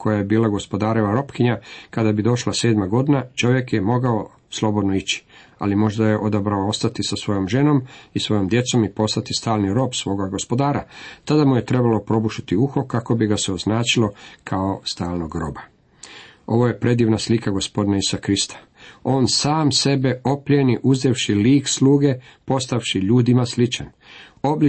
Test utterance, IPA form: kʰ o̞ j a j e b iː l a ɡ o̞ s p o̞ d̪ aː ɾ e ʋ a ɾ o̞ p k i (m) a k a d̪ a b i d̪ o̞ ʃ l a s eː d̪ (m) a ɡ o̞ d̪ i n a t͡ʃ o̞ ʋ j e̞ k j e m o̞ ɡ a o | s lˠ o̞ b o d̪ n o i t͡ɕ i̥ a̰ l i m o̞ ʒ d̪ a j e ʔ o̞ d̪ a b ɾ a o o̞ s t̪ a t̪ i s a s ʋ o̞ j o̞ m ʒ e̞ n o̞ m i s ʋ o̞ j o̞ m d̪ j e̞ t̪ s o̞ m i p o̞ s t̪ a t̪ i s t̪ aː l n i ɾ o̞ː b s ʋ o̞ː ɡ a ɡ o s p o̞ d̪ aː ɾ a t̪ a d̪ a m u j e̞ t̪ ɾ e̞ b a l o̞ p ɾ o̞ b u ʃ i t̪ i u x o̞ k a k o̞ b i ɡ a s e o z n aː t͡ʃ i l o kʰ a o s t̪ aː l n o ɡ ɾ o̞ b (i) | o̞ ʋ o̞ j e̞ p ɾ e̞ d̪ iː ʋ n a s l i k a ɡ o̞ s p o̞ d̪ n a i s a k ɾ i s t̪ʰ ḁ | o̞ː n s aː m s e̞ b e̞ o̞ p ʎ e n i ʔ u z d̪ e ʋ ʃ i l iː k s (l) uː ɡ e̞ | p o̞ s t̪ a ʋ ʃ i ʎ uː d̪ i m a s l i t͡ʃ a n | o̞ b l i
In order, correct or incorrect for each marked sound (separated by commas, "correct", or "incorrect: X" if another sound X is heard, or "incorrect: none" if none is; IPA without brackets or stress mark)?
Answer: incorrect: ɲ, correct, incorrect: a, correct